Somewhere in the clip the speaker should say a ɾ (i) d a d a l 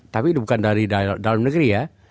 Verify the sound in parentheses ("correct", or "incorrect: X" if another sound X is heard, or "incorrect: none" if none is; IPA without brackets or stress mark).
correct